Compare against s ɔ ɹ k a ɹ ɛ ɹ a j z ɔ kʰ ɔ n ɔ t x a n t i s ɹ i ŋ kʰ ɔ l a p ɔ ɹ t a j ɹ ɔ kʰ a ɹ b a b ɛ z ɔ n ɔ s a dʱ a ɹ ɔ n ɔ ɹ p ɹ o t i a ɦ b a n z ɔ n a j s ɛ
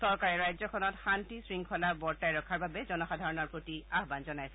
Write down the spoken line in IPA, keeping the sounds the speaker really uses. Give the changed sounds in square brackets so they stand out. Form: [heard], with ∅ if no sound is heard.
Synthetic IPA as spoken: s ɔ ɹ k a ɹ ɛ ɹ a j z ɔ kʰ ɔ n ɔ t x a n t i s ɹ i ŋ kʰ ɔ l a [b] ɔ ɹ t a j ɹ ɔ kʰ a ɹ b a b ɛ z ɔ n ɔ [x] a dʱ a ɹ ɔ n ɔ ɹ p ɹ o t i a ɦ b a n z ɔ n a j s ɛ